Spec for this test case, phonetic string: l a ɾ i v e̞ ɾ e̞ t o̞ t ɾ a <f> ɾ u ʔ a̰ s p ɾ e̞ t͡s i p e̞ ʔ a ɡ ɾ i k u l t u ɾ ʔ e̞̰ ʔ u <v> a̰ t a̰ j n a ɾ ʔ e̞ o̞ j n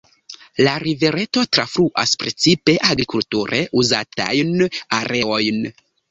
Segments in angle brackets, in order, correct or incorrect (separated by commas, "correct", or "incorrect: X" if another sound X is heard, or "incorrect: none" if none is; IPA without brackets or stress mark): correct, incorrect: z